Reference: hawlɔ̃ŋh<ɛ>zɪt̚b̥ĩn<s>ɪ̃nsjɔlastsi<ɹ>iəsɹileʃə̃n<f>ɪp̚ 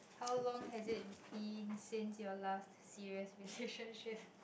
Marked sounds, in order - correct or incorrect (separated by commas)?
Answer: correct, correct, correct, incorrect